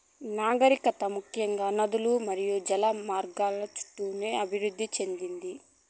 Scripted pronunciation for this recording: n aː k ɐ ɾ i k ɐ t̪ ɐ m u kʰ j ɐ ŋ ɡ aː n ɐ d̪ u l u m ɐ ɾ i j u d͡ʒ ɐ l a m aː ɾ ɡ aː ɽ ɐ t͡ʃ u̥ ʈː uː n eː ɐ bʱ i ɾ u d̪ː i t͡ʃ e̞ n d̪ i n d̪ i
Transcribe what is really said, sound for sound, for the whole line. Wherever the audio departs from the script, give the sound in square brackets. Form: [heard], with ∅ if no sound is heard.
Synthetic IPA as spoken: n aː [ɡ] ɐ ɾ i k ɐ t̪ ɐ m u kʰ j ɐ ŋ ɡ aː n ɐ d̪ u l u m ɐ ɾ i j u d͡ʒ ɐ l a m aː ɾ ɡ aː [l] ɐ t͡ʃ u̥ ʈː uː n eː ɐ bʱ i ɾ u d̪ː i t͡ʃ e̞ n d̪ i n d̪ i